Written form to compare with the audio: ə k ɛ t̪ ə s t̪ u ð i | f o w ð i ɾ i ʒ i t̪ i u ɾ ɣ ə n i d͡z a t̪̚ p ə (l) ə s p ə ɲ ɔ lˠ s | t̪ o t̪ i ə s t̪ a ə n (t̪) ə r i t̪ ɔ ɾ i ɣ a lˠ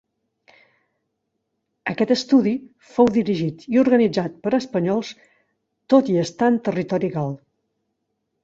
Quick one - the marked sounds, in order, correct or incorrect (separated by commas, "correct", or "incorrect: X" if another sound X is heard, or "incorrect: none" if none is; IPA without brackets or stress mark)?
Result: incorrect: ɾ, correct